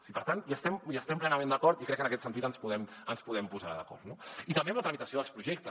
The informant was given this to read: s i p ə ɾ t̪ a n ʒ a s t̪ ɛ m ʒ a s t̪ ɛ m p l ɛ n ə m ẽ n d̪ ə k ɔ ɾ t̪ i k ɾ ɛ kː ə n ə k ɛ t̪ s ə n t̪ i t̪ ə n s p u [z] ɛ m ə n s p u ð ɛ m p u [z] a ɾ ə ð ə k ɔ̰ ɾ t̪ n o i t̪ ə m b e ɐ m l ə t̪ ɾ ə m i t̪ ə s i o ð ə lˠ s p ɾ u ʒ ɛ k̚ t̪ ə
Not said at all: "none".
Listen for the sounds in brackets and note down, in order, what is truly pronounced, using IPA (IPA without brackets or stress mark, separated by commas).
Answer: ð, z